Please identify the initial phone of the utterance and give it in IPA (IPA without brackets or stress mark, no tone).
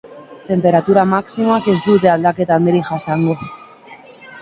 t̪